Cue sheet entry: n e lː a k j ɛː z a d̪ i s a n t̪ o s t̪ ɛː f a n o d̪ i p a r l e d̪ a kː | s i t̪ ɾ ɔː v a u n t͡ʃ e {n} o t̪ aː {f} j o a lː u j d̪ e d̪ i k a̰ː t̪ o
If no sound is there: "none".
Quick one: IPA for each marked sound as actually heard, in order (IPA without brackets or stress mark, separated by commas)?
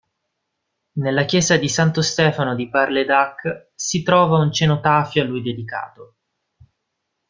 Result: n, f